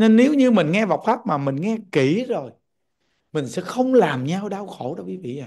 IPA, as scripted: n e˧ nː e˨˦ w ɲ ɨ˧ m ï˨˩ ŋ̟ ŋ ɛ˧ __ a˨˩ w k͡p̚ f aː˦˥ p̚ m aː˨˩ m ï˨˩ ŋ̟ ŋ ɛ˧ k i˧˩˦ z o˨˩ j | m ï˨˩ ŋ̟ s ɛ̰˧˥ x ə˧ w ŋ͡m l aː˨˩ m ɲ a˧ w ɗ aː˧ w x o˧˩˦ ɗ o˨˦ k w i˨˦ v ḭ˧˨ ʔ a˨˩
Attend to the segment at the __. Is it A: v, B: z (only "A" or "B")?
A